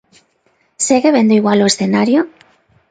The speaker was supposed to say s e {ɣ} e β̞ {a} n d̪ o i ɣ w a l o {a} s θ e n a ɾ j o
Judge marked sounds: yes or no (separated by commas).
yes, no, no